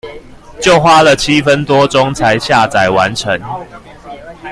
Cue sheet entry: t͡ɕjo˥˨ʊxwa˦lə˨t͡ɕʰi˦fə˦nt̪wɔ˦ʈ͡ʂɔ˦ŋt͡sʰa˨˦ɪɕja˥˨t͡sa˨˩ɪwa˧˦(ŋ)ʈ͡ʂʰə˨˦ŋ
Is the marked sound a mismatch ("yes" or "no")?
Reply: yes